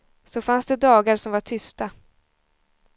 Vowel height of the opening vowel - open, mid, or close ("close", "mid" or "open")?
mid